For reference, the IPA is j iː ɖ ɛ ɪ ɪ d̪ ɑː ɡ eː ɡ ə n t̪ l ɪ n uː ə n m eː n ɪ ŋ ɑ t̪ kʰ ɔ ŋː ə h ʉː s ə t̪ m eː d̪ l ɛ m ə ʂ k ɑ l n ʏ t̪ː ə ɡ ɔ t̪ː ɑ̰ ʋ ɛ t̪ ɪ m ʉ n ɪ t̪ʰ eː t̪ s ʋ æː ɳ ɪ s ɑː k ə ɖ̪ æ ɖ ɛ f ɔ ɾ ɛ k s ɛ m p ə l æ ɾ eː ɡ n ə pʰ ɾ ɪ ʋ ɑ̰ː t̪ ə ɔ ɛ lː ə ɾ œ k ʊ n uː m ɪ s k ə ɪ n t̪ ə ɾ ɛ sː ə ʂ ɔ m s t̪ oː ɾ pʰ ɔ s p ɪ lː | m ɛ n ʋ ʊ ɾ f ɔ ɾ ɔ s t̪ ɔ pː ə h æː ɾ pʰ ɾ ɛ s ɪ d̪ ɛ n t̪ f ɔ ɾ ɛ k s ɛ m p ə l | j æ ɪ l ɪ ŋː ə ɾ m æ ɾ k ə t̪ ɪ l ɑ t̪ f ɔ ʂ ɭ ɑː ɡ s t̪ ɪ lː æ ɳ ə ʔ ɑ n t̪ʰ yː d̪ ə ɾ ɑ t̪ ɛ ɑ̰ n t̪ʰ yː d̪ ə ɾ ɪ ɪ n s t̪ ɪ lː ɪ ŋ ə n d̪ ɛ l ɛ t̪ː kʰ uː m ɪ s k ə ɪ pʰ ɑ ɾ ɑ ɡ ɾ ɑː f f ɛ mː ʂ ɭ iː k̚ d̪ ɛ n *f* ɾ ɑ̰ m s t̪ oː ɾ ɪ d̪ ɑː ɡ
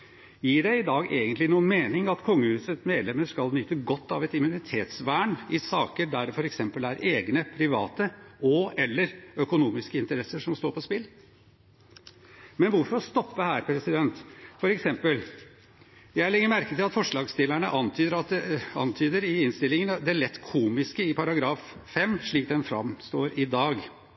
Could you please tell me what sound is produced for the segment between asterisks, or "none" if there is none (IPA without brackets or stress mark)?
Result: f